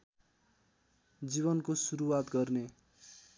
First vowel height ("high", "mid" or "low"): high